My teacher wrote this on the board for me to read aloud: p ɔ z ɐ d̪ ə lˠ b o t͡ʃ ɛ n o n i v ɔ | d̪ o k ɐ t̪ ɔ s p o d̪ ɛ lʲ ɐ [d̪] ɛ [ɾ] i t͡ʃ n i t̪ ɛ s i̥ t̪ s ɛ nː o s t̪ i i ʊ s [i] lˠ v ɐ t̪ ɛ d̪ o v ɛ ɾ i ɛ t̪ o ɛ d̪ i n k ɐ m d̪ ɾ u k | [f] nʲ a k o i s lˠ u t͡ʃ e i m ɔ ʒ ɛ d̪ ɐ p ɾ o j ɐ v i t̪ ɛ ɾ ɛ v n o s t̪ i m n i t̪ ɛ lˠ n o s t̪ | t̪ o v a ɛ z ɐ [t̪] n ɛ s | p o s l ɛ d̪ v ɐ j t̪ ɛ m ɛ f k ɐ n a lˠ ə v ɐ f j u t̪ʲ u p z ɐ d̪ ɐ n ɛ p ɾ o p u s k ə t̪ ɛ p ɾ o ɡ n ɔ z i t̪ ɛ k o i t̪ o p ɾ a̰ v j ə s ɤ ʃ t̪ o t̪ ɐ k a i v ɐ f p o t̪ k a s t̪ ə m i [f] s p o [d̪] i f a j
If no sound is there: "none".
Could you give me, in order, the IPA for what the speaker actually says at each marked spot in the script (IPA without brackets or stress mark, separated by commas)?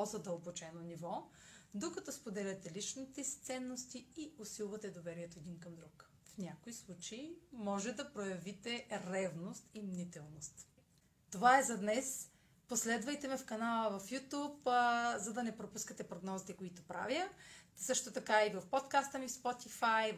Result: t̪, l, i, f, d̪, f, t̪